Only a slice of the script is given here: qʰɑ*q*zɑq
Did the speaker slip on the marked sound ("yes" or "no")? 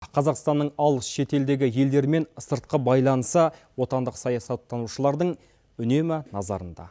yes